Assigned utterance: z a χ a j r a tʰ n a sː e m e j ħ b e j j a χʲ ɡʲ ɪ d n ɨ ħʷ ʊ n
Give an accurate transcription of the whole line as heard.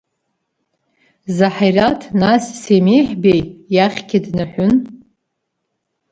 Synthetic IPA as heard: z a ħ a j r a tʰ n a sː e m e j ħ b e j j a χʲ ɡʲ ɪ d n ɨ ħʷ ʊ n